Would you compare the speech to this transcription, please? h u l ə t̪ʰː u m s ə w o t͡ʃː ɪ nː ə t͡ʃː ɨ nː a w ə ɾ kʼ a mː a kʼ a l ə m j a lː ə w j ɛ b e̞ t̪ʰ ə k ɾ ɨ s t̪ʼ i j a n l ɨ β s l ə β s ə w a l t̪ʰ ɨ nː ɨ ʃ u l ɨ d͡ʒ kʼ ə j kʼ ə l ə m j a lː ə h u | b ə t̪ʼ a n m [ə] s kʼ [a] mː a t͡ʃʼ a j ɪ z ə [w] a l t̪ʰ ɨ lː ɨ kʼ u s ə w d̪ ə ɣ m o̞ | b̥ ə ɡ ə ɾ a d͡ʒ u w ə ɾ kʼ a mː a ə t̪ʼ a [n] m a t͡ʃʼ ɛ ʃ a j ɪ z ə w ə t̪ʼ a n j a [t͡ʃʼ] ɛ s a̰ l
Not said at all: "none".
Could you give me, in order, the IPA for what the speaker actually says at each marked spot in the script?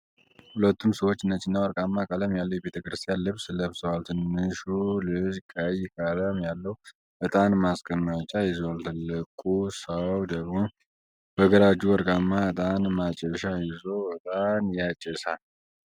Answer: a, ə, w, n, t͡ʃʼ

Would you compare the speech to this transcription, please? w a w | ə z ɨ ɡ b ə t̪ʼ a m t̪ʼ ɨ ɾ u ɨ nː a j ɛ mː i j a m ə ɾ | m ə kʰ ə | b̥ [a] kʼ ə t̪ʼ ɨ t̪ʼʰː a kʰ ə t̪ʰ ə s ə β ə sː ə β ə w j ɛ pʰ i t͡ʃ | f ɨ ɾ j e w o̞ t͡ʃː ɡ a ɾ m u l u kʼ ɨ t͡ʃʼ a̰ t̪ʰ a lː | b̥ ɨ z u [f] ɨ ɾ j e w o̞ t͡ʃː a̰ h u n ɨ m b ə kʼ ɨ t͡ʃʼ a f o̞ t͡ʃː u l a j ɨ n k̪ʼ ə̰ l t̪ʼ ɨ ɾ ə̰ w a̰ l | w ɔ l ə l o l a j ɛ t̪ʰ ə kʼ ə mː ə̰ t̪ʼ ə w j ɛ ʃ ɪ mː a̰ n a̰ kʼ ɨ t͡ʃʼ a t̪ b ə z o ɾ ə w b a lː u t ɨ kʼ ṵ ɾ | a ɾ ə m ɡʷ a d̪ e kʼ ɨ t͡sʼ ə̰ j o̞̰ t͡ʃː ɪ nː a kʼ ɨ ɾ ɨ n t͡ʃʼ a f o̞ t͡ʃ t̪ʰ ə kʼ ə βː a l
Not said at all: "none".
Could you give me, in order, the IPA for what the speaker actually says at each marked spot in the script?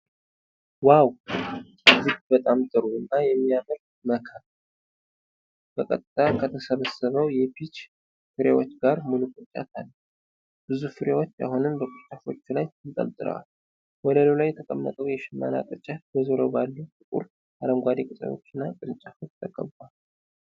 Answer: ə, f

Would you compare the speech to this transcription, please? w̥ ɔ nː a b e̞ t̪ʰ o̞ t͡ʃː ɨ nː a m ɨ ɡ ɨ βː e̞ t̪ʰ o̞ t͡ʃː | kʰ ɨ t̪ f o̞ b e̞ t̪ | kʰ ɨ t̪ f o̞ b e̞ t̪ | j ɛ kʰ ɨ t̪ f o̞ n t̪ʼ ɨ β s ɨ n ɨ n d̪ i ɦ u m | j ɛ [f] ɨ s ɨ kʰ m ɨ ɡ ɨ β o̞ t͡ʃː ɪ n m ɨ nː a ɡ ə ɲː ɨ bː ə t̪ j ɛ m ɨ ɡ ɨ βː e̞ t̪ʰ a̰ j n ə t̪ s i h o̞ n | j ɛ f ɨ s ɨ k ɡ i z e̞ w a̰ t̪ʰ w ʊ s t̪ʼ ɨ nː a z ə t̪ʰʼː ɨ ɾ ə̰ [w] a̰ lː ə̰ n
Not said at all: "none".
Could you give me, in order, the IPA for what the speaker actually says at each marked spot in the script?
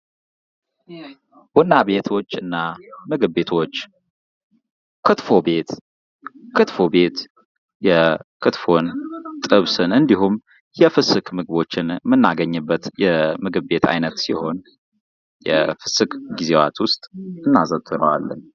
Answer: f, w

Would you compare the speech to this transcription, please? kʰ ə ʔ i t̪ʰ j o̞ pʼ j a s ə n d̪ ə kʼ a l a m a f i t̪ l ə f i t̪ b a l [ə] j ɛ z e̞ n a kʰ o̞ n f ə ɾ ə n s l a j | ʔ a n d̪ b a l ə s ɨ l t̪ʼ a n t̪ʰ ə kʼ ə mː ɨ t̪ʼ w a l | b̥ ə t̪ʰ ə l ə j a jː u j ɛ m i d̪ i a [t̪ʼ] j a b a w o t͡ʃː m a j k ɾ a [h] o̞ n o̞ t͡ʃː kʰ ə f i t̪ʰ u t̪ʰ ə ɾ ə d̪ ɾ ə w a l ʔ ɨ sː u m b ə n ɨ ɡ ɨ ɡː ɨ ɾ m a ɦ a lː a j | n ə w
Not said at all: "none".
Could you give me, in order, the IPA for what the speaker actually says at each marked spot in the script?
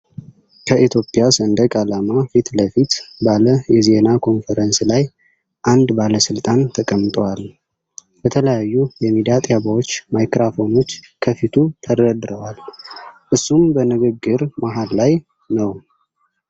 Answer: ə, t̪ʼ, f

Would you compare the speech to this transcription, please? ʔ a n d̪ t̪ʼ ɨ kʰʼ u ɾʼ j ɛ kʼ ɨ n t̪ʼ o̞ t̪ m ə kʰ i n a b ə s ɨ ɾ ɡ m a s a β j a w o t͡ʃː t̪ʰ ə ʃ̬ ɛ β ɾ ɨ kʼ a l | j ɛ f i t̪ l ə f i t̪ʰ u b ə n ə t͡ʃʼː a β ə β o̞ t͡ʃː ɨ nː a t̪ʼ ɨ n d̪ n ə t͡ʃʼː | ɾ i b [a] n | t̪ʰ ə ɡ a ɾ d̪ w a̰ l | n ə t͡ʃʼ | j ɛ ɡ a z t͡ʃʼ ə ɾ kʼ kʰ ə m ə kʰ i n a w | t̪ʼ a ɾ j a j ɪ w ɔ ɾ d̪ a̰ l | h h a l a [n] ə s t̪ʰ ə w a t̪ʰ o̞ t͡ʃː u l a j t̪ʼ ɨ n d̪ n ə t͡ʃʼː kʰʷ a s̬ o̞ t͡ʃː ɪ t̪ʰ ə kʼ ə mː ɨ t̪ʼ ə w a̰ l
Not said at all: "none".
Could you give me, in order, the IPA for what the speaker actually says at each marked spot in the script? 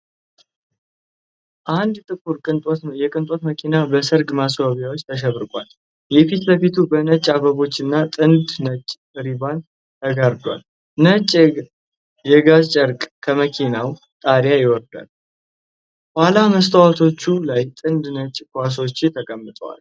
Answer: a, m

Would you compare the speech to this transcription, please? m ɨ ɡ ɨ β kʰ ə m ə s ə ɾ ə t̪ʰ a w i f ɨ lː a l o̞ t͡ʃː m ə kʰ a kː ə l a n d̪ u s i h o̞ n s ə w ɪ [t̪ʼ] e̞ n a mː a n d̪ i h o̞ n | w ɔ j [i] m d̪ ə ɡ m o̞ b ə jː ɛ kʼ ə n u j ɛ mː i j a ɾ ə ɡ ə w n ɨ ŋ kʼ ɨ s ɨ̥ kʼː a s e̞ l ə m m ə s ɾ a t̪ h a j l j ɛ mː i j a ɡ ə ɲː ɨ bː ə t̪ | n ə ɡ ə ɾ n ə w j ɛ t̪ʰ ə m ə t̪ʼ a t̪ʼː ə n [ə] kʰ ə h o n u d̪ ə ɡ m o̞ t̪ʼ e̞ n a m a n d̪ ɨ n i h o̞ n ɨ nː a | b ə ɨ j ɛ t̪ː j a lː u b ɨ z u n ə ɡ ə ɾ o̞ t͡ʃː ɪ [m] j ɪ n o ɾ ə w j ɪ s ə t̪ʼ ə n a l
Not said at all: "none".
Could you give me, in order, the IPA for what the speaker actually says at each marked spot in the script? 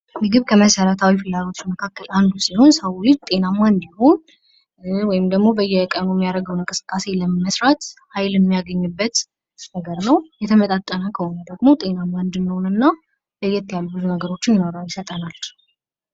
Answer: t̪ʼ, ɪ, ə, n

